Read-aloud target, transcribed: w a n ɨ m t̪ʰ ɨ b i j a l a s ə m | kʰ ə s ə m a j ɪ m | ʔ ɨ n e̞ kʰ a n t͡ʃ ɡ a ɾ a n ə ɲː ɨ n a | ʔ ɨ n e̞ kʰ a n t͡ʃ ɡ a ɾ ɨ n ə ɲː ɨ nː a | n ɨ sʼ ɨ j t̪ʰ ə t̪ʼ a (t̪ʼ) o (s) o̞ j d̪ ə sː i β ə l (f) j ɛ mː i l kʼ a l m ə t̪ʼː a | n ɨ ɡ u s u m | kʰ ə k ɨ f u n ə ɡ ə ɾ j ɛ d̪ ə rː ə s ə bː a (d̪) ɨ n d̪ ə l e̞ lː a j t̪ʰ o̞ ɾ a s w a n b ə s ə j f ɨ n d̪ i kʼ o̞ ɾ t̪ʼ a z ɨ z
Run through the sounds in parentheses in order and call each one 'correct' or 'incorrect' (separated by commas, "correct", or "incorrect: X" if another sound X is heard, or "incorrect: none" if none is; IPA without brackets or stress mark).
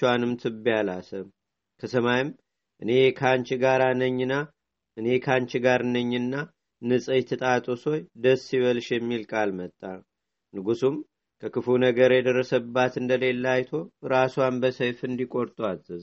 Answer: correct, correct, incorrect: ʃ, incorrect: t̪